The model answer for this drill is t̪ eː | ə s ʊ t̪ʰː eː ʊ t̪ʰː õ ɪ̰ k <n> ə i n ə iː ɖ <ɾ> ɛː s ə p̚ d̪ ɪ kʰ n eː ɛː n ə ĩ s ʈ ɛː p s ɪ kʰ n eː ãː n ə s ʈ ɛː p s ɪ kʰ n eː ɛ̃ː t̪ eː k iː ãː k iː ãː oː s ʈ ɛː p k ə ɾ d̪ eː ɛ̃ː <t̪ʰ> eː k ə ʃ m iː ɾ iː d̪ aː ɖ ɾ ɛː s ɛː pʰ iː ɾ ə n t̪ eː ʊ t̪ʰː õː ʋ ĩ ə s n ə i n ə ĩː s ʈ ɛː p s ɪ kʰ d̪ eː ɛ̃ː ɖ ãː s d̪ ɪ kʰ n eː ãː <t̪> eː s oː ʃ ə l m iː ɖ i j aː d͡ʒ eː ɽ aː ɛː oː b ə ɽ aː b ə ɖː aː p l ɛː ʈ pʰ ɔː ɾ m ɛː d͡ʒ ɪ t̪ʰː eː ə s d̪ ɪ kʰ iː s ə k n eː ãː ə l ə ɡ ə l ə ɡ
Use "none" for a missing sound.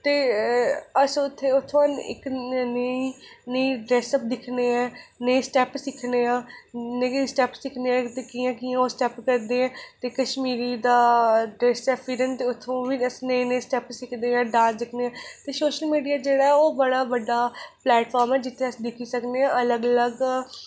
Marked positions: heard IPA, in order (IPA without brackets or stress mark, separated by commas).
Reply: n, ɾ, t̪, t̪